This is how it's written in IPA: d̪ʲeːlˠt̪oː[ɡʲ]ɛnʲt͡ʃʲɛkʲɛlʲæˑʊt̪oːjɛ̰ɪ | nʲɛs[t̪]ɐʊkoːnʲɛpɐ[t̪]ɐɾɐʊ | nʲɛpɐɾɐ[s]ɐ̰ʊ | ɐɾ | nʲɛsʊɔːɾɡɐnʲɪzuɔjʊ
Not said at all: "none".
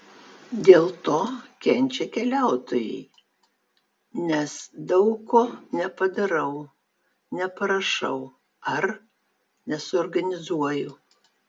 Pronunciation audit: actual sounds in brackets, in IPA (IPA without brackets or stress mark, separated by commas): kʲ, d̪, d̪, ʃ